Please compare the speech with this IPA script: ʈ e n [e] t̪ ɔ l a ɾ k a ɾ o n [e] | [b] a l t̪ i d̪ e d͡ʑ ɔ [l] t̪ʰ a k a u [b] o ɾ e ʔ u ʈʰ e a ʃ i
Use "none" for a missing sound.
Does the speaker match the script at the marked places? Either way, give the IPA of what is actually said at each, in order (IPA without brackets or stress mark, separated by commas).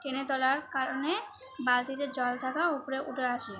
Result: e, e, b, l, p